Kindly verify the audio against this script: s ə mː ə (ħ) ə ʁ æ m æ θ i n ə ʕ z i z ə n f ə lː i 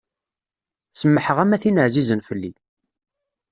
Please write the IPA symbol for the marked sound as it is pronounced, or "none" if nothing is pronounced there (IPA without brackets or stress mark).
ħ